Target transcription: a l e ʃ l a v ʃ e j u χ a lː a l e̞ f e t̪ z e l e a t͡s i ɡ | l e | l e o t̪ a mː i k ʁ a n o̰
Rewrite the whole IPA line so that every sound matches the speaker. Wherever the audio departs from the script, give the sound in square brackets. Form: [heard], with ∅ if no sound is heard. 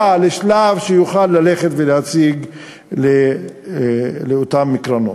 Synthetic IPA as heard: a l e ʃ l a v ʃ e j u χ a lː a l e̞ [χ] e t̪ [v] e l e a t͡s i ɡ | l e | l e o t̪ a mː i k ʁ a n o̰